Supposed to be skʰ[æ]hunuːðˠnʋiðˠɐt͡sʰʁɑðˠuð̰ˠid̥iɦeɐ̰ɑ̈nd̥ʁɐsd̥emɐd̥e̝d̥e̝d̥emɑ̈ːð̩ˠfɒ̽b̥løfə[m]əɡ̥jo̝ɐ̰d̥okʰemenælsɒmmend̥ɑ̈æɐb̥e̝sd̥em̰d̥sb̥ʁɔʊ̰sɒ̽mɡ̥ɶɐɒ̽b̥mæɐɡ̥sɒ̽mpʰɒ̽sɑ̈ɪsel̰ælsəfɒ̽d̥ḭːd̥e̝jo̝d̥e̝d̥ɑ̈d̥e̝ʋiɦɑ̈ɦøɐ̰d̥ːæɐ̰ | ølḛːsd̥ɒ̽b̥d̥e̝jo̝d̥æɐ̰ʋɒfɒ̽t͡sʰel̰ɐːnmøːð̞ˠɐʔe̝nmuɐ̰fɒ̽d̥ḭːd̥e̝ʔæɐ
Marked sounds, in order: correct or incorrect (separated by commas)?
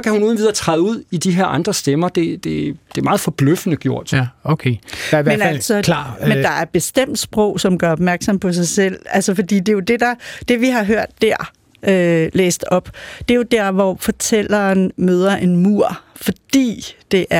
correct, incorrect